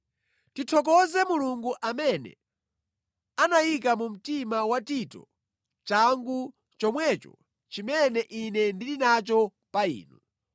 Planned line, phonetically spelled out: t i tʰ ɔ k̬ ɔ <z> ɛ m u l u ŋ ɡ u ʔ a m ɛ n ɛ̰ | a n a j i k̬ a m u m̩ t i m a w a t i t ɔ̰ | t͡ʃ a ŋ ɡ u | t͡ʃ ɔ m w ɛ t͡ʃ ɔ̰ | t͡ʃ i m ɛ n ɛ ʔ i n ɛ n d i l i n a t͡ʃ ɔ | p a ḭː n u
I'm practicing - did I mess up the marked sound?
no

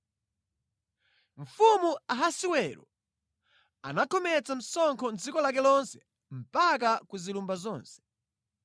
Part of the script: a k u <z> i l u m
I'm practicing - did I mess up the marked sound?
no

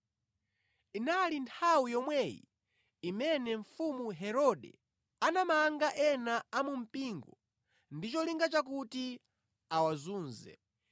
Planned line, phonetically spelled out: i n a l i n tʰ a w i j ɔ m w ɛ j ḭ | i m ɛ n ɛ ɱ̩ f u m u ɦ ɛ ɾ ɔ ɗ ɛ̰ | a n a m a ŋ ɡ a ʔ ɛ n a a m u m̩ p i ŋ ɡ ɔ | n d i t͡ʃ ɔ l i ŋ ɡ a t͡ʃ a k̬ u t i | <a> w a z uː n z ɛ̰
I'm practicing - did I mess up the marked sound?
no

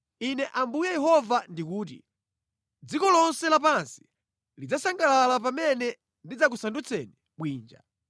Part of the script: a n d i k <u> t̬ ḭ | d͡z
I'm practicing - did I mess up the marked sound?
yes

